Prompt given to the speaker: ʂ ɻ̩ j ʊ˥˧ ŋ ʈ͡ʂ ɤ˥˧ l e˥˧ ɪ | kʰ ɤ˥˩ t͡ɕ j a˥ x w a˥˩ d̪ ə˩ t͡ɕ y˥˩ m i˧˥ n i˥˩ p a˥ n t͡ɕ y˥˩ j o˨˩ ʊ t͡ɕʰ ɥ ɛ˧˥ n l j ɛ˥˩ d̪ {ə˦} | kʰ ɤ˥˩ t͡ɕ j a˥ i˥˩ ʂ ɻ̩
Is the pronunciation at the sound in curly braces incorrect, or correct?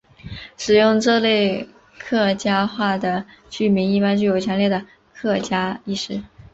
incorrect: ə˩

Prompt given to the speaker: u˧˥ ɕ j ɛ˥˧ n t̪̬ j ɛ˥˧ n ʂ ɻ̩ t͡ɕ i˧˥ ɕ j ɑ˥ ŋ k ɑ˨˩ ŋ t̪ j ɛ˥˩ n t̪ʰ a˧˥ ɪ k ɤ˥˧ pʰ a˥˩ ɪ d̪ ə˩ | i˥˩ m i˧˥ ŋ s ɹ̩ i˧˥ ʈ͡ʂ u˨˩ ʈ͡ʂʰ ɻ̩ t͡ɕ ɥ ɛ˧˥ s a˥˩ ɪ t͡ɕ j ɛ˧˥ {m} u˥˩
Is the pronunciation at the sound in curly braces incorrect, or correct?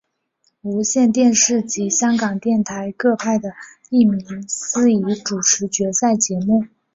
correct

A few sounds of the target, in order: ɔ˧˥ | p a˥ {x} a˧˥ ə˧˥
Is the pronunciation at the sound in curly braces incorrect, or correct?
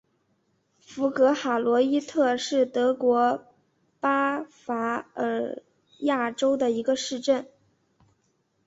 incorrect: f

